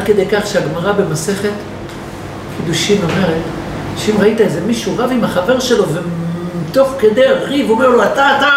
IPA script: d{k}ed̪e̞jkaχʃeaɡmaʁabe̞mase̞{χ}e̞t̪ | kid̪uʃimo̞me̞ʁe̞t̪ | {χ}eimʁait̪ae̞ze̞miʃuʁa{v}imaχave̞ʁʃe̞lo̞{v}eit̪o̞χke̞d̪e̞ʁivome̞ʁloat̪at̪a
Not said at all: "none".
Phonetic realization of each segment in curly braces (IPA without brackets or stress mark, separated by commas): k, χ, ʃ, v, v